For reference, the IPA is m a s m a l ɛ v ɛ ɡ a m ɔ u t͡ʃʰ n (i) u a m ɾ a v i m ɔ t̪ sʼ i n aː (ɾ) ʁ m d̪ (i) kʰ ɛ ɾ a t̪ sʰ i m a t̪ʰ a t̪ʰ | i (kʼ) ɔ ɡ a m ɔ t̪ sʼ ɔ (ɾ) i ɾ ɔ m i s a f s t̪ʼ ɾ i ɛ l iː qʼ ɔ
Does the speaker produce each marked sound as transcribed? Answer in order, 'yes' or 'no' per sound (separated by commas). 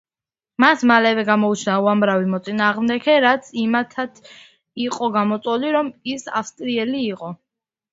no, no, no, no, no